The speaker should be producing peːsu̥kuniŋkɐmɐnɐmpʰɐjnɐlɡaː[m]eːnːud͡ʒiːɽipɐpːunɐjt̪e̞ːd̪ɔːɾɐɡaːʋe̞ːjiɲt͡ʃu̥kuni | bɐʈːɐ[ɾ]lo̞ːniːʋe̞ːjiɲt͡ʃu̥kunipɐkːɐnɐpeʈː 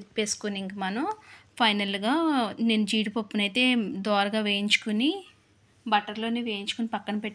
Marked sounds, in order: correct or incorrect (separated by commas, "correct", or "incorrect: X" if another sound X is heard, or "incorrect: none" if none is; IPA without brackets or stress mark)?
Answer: incorrect: n, correct